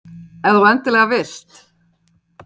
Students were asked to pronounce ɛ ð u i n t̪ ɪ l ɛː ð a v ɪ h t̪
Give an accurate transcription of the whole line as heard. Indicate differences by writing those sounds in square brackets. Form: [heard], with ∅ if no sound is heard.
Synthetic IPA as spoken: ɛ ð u [ɛ] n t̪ ɪ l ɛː [ɣ] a v ɪ [s] t̪